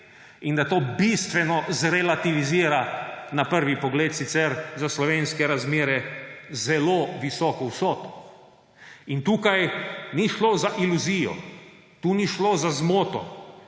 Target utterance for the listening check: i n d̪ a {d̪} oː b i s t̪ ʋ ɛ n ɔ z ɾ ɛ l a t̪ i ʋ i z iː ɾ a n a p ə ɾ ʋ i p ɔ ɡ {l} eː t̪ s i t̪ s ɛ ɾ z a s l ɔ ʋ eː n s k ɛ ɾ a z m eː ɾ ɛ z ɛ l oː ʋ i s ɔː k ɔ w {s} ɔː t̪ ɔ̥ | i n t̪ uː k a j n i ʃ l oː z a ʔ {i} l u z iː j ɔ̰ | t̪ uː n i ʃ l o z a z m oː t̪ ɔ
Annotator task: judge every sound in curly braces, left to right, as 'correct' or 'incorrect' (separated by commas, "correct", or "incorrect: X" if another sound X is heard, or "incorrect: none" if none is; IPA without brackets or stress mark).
incorrect: t̪, correct, correct, correct